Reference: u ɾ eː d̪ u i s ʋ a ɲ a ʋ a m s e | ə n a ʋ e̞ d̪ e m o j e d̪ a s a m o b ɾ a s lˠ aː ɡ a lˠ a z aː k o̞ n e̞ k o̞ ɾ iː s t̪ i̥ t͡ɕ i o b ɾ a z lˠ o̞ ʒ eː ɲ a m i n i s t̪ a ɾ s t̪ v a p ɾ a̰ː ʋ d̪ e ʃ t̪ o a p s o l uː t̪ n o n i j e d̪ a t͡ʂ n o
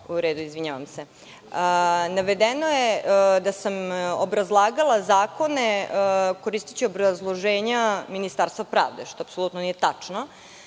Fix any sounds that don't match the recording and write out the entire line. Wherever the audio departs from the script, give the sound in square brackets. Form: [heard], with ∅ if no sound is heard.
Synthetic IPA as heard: u ɾ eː d̪ u i [z] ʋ [i] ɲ a ʋ a m s e | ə n a ʋ e̞ d̪ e [n] o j e d̪ a s a m o b ɾ a [z] lˠ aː ɡ a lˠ a z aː k o̞ n e̞ k o̞ ɾ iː s t̪ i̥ t͡ɕ i o b ɾ a z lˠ o̞ ʒ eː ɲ a m i n i s t̪ a ɾ s t̪ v a p ɾ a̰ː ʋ d̪ e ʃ t̪ o a p s o l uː t̪ n o n i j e [t̪] a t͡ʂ n o